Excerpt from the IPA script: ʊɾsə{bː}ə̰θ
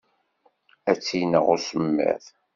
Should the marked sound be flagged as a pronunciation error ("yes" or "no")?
yes